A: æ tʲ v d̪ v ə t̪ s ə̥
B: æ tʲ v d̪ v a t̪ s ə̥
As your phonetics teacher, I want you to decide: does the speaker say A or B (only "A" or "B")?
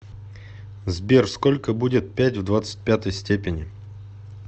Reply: B